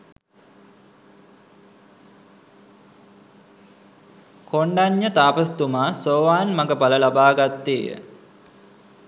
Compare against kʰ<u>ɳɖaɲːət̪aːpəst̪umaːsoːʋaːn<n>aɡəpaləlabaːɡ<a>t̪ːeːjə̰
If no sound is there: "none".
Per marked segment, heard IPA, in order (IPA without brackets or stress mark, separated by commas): o, m, a